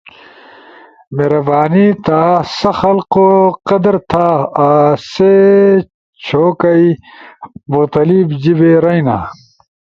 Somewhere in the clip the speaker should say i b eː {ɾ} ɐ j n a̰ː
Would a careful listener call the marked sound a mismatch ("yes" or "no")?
no